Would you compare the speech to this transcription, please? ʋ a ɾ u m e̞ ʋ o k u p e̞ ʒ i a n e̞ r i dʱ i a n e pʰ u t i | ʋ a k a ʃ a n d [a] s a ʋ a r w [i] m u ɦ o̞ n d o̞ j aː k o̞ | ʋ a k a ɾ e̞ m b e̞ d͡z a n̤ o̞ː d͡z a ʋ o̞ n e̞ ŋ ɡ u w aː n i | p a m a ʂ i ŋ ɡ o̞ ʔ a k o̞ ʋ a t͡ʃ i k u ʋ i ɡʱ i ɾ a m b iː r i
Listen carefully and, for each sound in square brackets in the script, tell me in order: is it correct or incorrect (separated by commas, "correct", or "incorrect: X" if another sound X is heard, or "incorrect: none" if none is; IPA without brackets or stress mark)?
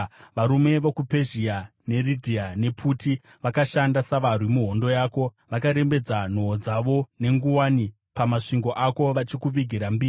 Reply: correct, correct